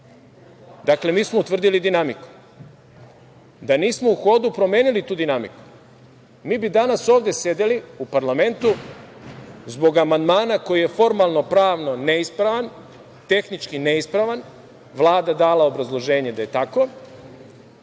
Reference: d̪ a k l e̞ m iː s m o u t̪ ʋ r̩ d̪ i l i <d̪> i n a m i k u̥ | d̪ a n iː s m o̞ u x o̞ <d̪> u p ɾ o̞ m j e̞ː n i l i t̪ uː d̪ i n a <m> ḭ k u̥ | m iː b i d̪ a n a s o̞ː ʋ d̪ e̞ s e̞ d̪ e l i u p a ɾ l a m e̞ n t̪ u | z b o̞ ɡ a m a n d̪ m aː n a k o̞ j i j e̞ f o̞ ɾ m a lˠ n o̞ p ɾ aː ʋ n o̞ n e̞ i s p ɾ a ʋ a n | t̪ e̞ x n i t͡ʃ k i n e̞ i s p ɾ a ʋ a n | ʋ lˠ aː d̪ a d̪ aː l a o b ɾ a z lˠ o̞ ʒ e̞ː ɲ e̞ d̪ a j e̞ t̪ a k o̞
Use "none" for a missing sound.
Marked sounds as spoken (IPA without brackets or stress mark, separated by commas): d̪, d̪, m